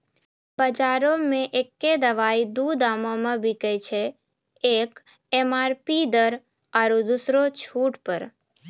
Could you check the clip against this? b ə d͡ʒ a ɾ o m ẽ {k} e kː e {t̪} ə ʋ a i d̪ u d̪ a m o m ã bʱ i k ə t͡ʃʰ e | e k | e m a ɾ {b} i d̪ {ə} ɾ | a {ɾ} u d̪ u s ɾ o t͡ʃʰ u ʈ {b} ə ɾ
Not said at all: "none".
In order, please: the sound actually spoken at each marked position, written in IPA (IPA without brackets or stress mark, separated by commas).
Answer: ʔ, d̪, p, ə, ɾ, p